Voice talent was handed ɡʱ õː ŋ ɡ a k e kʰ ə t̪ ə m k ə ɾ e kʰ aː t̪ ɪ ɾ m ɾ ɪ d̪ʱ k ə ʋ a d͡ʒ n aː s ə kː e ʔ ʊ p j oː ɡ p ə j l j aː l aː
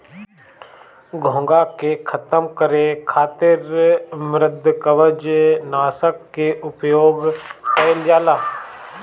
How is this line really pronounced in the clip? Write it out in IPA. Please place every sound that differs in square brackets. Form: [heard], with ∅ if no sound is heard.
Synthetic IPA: ɡʱ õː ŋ ɡ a k e kʰ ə t̪ ə m k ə ɾ e kʰ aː t̪ ɪ ɾ m ɾ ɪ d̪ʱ k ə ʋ [ə] d͡ʒ n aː s ə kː e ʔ ʊ p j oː ɡ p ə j l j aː l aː